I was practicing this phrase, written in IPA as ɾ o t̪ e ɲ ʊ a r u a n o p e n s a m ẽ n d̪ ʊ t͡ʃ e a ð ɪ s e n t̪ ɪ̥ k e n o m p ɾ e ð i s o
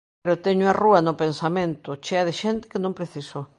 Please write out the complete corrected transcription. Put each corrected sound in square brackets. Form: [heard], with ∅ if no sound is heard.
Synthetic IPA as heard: ɾ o t̪ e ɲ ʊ a r u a n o p e n s a m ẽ n [t̪] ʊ t͡ʃ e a ð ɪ [ʃ] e n t̪ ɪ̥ k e n [õ] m p ɾ e [θ] i s o